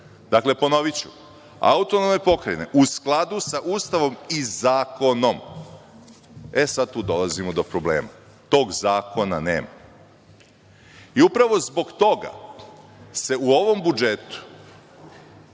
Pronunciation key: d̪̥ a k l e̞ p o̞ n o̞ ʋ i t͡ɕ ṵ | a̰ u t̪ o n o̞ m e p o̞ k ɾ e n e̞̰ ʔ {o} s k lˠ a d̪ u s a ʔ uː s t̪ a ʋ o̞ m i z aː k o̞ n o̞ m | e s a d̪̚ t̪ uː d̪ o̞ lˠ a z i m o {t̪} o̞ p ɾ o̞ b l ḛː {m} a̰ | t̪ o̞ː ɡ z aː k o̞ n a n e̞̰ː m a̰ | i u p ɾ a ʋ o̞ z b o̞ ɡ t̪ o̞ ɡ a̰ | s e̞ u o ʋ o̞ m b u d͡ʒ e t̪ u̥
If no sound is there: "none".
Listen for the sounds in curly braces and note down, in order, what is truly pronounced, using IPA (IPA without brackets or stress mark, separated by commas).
u, d̪, m